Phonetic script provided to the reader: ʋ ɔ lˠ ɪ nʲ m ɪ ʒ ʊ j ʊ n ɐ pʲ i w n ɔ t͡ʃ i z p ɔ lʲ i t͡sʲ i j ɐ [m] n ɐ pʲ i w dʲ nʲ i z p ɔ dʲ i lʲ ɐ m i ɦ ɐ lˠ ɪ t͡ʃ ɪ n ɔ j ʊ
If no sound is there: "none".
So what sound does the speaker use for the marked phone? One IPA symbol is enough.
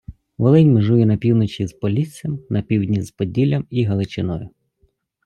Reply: m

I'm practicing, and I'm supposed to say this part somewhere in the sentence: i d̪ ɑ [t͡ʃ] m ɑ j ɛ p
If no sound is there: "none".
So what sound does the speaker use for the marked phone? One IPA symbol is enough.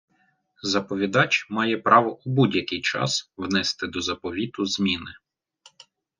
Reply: t͡ʃ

